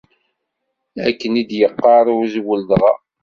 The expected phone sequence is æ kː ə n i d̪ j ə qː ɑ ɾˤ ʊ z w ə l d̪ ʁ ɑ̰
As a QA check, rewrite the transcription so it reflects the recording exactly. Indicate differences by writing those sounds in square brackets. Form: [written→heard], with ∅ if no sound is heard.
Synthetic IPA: æ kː ə n i d̪ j ə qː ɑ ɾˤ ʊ z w ə l d̪ ʁ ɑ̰